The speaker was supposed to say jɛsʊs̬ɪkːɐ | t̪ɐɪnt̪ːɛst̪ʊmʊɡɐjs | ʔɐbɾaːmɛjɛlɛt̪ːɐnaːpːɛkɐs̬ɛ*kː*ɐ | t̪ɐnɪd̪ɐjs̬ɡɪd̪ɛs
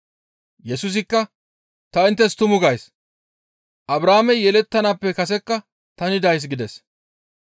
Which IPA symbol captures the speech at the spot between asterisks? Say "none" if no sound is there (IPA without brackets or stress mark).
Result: kː